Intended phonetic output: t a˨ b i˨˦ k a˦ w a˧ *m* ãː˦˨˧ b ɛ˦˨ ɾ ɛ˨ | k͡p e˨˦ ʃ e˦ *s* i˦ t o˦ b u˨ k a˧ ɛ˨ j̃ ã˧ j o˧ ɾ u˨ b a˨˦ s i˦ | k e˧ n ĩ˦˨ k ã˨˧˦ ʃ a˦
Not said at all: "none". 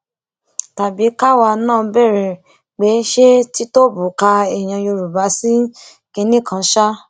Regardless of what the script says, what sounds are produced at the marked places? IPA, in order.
n, t

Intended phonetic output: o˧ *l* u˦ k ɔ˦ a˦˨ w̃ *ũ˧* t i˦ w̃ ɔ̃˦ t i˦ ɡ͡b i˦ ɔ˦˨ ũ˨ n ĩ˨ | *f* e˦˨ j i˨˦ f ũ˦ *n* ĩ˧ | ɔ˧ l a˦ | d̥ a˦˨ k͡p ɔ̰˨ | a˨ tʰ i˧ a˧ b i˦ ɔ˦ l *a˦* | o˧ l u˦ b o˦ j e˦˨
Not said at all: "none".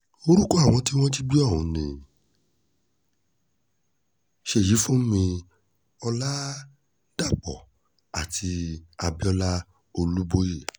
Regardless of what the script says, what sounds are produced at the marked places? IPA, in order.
ɾ, ɔ̃˧, ʃ, m, a˦

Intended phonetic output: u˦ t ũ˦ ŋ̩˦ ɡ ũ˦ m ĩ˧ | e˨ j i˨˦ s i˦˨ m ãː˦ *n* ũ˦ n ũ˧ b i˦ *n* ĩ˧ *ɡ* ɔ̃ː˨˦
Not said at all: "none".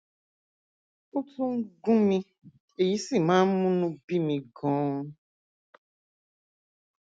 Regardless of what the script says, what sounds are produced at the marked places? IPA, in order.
m, m, ɡ

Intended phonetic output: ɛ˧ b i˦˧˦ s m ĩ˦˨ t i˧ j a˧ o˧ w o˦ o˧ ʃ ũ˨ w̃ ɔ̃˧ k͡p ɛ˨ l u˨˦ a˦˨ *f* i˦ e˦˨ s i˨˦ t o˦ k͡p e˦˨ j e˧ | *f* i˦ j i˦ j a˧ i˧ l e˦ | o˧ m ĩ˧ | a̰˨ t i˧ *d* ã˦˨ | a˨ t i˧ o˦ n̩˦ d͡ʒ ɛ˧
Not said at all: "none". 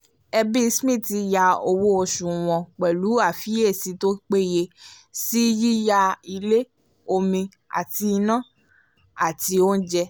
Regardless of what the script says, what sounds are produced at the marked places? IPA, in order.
f, s, n

